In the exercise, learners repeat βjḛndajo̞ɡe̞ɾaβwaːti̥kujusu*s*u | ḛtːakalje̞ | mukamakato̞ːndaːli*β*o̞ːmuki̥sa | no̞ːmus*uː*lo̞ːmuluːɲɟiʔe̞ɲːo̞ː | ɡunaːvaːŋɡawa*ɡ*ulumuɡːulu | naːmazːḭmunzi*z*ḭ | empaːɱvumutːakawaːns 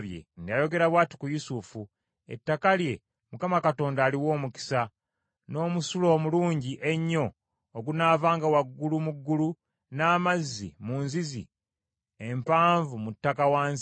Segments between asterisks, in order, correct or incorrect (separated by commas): incorrect, incorrect, incorrect, incorrect, correct